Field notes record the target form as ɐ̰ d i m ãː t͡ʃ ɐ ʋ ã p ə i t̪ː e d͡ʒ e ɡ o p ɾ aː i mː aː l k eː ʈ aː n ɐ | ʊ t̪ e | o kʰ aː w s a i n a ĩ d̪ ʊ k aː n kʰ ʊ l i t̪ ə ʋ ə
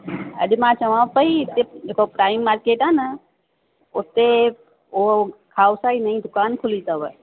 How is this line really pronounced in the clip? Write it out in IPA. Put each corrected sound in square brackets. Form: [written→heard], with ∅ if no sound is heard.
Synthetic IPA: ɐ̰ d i m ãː t͡ʃ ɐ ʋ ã p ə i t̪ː e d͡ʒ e [ɡ→k] o p ɾ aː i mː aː [l→ɾ] k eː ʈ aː n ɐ | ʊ t̪ e | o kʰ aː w s a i n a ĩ d̪ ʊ k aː n kʰ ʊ l i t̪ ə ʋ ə